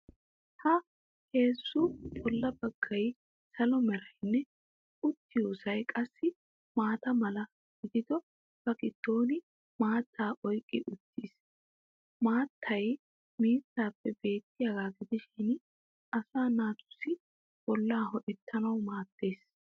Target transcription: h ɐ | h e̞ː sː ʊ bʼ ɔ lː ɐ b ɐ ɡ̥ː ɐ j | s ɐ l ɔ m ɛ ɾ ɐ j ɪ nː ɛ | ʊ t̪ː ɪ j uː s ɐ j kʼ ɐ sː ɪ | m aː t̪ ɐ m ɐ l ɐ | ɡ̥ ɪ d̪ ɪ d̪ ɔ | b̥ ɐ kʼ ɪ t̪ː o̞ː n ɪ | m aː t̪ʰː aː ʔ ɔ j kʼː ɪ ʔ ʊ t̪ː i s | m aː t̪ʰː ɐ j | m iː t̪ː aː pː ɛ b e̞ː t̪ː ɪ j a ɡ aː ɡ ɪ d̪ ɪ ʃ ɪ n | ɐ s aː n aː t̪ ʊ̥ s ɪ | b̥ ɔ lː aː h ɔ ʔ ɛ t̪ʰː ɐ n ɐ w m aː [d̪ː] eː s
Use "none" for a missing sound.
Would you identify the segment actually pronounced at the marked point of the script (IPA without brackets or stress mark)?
t̪ː